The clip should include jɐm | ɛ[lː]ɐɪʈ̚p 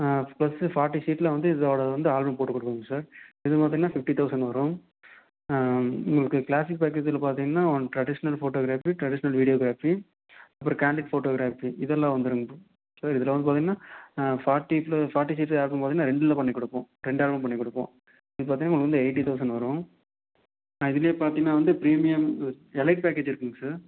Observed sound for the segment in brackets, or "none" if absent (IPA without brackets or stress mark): l